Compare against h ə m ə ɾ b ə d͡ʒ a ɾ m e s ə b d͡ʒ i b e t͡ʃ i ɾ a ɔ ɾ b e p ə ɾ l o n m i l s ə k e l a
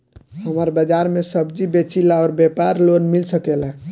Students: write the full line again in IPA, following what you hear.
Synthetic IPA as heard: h ə m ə ɾ b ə d͡ʒ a ɾ m e s ə b d͡ʒ i b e t͡ʃ i l a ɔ ɾ b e p a ɾ l o n m i l s ə k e l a